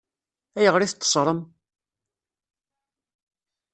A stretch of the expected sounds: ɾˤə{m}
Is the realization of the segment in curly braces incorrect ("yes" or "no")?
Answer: no